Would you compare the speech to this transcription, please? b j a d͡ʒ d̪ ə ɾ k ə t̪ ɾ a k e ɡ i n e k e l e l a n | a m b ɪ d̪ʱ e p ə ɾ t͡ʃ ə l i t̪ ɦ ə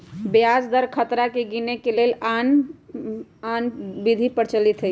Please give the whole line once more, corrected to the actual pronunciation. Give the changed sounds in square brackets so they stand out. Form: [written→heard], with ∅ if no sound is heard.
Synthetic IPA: b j a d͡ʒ d̪ ə ɾ [k→kʰ] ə t̪ ɾ a k e ɡ i n e k e l e l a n | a [m→n] b [ɪ→i] d̪ʱ [e→i] p ə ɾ t͡ʃ ə l i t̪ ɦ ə